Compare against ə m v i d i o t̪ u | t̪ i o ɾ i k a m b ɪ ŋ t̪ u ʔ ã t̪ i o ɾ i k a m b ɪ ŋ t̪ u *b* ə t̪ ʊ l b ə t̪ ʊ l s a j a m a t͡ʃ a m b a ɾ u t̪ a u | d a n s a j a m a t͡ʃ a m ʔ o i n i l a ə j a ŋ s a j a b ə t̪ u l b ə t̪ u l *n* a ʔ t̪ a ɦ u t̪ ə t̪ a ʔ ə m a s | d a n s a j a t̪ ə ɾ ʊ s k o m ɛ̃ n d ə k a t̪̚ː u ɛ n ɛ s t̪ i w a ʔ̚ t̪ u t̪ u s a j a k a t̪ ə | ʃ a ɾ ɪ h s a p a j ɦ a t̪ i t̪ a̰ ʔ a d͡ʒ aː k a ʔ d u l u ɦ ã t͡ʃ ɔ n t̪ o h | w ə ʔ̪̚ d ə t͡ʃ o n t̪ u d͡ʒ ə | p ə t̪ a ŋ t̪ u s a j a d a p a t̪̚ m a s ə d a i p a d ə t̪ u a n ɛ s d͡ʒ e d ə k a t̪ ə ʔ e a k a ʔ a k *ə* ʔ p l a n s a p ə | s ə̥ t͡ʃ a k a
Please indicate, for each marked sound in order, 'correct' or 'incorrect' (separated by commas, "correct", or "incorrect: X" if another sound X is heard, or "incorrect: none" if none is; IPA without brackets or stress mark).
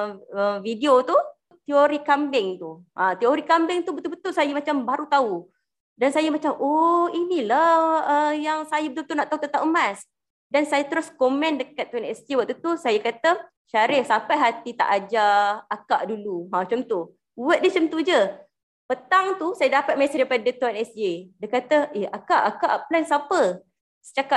correct, correct, incorrect: a